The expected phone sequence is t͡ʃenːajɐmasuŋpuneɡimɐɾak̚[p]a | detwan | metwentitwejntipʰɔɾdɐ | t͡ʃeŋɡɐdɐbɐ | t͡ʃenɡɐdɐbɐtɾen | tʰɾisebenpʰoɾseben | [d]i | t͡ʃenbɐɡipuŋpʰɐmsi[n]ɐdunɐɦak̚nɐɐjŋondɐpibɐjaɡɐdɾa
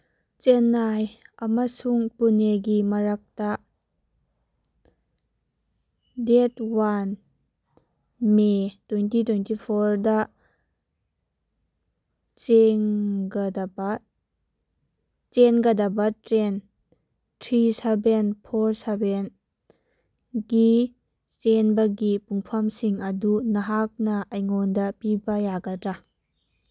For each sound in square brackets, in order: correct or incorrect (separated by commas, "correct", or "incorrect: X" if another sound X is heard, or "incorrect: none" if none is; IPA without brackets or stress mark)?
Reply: incorrect: t, incorrect: ɡ, incorrect: ŋ